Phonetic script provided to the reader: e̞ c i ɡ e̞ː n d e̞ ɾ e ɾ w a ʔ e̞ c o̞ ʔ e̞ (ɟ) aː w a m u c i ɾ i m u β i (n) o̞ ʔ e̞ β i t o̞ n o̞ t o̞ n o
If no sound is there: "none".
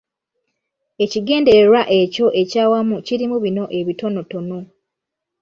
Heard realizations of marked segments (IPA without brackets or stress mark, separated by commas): c, n